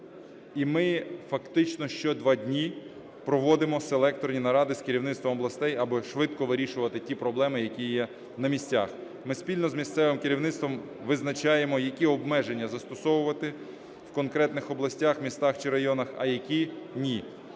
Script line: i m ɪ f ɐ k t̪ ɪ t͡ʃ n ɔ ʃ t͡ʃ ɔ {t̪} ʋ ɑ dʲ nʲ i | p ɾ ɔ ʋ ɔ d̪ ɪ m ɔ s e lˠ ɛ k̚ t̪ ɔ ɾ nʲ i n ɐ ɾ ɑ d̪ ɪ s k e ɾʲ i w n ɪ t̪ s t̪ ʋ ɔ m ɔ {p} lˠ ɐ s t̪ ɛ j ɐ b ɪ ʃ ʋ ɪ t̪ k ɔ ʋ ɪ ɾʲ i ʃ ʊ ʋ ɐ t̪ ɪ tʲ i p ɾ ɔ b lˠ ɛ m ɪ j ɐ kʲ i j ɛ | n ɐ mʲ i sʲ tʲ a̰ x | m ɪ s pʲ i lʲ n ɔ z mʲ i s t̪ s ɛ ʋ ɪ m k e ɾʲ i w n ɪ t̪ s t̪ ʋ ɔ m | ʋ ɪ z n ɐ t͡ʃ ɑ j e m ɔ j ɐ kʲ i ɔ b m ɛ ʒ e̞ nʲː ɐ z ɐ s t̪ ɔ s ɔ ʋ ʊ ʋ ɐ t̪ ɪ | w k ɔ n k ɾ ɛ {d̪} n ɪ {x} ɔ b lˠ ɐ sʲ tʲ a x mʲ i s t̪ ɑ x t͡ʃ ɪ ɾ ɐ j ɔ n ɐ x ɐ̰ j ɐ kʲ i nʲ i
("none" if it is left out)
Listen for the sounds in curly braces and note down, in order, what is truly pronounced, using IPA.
d̪, b, t̪, x

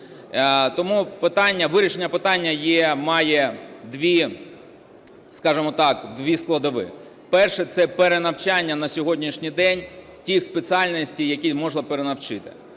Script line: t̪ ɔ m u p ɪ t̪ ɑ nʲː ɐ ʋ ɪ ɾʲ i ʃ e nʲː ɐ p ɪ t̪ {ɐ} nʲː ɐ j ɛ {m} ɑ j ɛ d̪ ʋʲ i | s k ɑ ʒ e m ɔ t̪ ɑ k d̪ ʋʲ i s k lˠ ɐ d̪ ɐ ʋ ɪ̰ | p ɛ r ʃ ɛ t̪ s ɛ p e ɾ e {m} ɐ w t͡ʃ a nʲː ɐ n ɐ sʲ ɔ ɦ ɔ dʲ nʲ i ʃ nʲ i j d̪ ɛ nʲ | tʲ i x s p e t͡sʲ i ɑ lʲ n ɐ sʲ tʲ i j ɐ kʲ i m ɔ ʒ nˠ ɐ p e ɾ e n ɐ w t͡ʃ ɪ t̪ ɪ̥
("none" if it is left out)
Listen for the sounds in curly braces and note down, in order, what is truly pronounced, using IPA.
ɑ, m, n

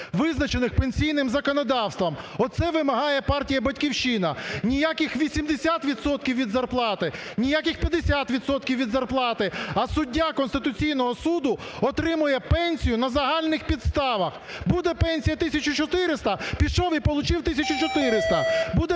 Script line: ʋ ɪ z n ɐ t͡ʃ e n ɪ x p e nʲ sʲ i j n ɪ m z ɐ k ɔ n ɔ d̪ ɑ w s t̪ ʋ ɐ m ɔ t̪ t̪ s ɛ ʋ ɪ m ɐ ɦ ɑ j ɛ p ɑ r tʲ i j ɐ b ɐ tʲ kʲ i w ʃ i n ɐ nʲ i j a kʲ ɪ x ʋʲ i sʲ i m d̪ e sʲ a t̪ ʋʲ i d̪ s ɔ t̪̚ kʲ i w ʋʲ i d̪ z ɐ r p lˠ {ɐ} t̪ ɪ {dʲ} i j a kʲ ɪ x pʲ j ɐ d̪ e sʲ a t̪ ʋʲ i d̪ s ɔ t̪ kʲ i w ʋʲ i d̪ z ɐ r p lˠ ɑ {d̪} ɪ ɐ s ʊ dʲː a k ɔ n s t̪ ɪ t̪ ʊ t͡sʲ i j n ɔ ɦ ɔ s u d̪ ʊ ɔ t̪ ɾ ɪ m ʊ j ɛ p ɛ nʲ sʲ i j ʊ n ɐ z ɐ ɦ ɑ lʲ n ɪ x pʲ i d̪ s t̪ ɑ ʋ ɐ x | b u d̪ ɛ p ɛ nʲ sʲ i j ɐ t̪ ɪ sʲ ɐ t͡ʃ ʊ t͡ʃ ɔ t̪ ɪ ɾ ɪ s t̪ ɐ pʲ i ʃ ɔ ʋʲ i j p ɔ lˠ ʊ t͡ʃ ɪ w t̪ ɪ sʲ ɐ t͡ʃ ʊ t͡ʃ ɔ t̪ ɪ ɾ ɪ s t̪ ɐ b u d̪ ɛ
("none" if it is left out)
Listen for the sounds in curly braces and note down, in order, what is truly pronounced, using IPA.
ɑ, nʲ, t̪

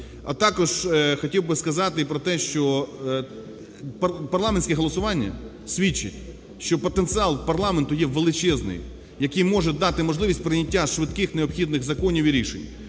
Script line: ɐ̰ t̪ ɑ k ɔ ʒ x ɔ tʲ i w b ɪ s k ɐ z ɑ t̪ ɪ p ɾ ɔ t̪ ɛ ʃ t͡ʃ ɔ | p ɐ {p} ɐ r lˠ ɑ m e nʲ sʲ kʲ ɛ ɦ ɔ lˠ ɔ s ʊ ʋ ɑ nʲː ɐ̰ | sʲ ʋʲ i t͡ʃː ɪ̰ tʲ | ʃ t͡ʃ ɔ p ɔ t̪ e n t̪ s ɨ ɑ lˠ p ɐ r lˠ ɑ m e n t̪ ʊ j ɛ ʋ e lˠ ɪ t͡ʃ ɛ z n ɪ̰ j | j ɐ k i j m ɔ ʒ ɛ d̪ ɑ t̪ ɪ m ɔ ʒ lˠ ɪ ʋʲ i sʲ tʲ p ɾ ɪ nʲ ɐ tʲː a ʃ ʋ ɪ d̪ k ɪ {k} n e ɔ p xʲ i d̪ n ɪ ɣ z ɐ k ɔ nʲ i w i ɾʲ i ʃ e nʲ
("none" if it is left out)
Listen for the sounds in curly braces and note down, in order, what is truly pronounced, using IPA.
p, x

